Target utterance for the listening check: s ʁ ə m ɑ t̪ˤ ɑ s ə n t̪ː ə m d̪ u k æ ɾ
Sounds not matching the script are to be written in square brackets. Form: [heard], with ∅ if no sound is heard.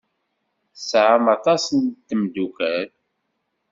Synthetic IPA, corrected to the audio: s [ʕ] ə m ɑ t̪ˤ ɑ s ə n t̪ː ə m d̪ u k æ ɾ